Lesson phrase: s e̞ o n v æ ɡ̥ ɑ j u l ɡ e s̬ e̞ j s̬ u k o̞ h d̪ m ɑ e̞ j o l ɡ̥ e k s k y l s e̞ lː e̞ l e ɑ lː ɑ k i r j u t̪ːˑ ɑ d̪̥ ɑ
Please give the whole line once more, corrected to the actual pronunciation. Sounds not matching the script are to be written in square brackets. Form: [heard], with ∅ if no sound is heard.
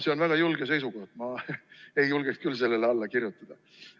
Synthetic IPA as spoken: s e̞ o n v æ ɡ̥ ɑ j u l ɡ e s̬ e̞ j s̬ u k o̞ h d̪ m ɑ e̞ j [u] l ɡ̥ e k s k y l s e̞ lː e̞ l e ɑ lː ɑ k i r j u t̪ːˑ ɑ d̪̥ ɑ